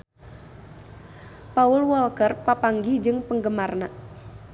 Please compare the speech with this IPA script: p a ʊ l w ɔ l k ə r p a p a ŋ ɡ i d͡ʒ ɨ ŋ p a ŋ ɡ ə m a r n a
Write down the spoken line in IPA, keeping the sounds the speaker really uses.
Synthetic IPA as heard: p a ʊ l w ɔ l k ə r p a p a ŋ ɡ i d͡ʒ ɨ ŋ p ə ŋ ɡ ə m a r n a